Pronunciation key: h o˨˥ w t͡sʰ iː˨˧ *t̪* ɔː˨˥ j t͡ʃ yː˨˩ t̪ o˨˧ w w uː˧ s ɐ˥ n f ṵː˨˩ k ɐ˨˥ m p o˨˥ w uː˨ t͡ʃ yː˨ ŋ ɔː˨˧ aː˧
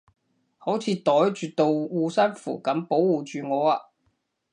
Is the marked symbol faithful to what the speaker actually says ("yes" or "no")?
yes